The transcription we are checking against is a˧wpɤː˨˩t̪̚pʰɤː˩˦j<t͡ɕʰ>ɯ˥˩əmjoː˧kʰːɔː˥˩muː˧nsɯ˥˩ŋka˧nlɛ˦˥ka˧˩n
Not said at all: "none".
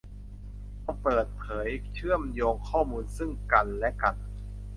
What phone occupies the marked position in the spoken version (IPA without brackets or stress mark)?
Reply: t͡ɕʰ